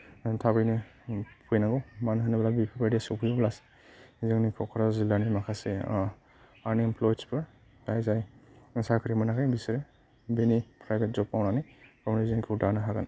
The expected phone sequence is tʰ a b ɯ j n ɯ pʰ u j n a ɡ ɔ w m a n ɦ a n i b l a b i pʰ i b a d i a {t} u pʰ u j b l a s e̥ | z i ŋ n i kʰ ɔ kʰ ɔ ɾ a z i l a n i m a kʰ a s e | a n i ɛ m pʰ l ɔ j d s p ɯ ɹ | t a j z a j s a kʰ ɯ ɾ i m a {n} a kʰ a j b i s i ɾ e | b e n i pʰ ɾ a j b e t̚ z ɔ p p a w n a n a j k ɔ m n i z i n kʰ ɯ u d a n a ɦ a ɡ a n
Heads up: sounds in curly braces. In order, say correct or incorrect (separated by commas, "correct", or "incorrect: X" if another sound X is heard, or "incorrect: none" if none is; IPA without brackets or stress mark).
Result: incorrect: s, correct